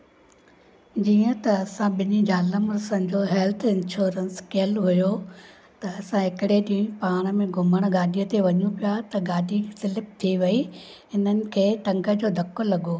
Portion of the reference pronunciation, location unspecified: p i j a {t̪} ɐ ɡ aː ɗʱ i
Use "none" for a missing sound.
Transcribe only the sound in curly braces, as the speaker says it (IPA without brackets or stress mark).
t̪